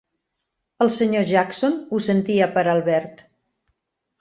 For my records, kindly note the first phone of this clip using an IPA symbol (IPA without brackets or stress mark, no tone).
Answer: ə